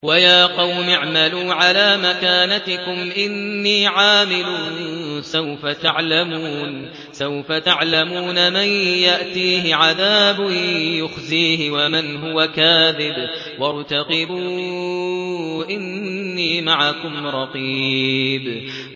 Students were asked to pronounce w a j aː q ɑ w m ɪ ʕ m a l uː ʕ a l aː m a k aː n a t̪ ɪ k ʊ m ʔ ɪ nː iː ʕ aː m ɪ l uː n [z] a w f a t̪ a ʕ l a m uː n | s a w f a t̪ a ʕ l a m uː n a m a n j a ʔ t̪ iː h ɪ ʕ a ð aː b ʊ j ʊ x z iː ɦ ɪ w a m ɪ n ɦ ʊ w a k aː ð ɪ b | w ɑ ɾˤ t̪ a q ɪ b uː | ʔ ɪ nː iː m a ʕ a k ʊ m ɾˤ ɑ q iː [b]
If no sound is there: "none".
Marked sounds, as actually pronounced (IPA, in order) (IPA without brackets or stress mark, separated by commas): s, b